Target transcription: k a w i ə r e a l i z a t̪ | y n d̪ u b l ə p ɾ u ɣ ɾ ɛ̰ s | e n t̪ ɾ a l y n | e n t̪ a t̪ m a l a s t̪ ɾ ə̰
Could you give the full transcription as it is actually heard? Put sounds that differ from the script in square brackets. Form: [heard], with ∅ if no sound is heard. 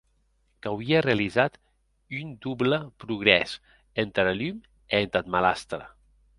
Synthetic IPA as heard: k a w i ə r e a l i z a t̪ | y n d̪ u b l ə p ɾ u ɣ ɾ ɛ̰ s | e n t̪ ɾ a l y [m] | e n t̪ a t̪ m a l a s t̪ ɾ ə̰

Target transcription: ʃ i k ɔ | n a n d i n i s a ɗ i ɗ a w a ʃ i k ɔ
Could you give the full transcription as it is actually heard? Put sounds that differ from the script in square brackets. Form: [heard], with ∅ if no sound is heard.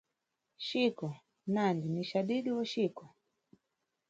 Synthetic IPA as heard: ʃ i k ɔ | n a n d i n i [ʃ] a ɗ i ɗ [i] w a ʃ i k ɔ

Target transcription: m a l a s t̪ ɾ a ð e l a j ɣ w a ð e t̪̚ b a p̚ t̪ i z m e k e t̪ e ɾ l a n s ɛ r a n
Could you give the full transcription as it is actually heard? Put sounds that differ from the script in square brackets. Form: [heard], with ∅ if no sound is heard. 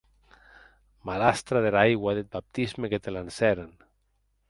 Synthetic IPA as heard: m a l a s t̪ ɾ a ð e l a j ɣ w a ð e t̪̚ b a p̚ t̪ i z m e k e t̪ e [∅] l a n s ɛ [ɾ] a n

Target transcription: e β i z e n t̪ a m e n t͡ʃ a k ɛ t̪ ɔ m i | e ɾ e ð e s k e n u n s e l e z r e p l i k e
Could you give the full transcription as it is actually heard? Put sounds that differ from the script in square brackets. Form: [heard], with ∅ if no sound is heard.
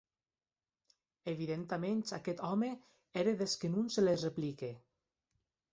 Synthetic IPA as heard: e β i [ð] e n t̪ a m e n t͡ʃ a k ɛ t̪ ɔ m [e] | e ɾ e ð e s k e n u n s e l e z r e p l i k e

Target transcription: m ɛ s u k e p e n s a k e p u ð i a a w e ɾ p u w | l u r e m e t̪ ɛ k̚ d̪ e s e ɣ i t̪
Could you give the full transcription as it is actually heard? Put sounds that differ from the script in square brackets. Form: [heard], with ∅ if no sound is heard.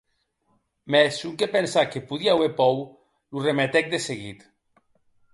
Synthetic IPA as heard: m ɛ s u k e p e n s a k e p u ð i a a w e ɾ p [ɔ] w | l u r e m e t̪ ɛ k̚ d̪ e s e ɣ i t̪

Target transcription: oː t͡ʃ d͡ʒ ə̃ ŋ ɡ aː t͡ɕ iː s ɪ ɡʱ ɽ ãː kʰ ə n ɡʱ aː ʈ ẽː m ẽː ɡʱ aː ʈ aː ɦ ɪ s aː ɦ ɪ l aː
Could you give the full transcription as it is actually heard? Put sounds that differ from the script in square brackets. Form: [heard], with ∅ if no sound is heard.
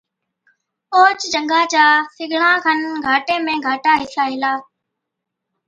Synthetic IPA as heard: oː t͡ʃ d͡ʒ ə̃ ŋ ɡ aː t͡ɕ [aː] s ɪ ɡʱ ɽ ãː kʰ ə n ɡʱ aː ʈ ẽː m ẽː ɡʱ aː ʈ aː ɦ ɪ s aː ɦ ɪ l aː

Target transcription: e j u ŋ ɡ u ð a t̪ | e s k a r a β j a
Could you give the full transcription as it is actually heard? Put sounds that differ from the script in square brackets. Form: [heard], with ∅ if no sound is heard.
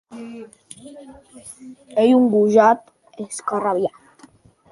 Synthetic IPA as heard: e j u ŋ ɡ u [ʒ] a t̪ | e s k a r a β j a

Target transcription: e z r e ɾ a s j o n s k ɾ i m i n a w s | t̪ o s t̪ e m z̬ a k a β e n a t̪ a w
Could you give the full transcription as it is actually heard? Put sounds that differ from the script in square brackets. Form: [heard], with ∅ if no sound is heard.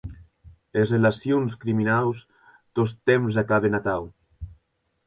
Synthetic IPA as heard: e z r e [l] a s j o n s k ɾ i m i n a w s | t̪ o s t̪ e m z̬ a k a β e n a t̪ a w

